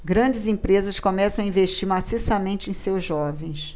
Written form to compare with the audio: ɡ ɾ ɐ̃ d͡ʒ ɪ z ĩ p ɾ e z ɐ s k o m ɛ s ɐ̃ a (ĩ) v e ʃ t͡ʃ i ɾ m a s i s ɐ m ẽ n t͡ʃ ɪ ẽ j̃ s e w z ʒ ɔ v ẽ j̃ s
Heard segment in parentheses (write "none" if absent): ĩ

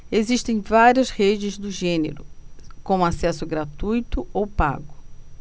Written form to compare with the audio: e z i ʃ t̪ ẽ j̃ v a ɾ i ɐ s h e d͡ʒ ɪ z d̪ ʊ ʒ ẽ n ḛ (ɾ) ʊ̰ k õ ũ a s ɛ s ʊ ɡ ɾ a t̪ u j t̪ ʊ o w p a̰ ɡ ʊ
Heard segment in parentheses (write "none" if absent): ɾ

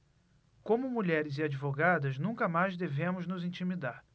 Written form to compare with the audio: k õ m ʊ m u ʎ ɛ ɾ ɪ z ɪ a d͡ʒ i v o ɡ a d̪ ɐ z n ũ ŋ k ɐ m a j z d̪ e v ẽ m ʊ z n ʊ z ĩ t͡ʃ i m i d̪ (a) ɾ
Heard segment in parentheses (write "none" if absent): a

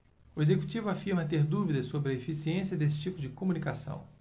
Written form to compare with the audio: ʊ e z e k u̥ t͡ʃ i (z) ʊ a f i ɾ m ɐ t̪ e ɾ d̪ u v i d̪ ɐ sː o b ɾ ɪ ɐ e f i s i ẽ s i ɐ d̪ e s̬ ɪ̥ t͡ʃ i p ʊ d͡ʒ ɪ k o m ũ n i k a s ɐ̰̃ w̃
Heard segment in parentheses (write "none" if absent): v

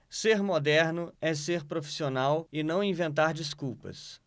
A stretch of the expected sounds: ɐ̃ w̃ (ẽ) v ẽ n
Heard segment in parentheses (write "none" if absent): ĩ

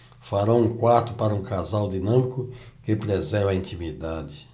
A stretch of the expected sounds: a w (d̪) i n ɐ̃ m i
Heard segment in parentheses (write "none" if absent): d̪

